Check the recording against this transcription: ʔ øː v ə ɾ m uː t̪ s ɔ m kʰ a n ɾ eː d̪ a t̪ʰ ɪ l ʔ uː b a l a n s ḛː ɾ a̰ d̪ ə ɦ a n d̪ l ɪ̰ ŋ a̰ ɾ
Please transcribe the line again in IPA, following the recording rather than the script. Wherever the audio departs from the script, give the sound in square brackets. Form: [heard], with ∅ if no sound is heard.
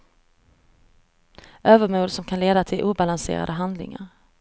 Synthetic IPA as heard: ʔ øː v ə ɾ m uː [d̪] s ɔ m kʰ a n [l] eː d̪ a t̪ʰ ɪ l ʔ uː b a l a n s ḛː ɾ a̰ d̪ ə ɦ a n d̪ l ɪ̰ ŋ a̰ ɾ